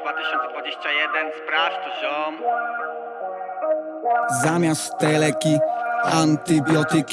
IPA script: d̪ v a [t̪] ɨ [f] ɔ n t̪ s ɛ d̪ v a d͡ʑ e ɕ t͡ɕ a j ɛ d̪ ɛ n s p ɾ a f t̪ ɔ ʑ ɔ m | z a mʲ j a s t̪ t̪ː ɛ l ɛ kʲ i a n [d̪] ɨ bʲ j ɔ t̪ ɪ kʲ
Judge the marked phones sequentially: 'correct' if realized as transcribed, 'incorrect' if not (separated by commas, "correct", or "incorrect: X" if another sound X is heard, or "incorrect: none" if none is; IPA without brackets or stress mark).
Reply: correct, incorrect: ɕ, incorrect: t̪